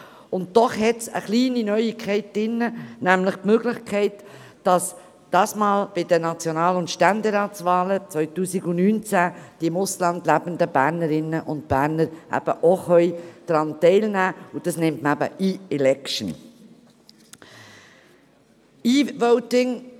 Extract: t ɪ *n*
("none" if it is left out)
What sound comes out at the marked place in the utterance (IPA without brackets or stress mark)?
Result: ŋ